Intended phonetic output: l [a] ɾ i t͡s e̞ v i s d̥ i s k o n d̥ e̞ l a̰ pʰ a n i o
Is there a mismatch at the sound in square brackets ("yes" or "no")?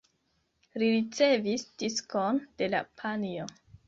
yes